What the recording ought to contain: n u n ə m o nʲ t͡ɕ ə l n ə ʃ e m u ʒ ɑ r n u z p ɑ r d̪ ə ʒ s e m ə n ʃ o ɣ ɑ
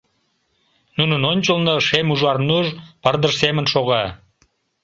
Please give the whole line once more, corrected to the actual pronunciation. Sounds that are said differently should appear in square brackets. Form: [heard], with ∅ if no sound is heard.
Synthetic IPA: n u n ə [n] o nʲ t͡ɕ ə l n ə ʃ e m u ʒ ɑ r n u [ʒ] p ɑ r d̪ ə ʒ s e m ə n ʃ o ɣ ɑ